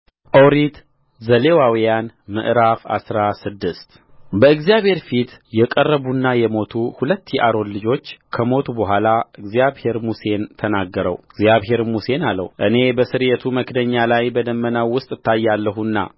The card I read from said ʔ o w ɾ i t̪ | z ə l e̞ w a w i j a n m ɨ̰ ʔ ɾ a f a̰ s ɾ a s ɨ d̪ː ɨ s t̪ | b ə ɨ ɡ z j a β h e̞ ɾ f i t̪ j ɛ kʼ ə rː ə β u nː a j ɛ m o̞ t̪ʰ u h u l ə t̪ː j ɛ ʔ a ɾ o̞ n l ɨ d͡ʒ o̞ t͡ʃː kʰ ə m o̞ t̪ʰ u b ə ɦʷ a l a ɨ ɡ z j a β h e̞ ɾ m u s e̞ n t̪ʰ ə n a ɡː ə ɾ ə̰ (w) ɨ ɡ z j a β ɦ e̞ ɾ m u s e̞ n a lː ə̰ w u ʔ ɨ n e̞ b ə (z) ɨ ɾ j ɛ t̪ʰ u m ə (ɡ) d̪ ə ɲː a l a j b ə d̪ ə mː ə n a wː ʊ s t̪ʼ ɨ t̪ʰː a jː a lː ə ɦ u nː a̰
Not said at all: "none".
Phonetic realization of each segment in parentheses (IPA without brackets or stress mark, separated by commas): w, s, k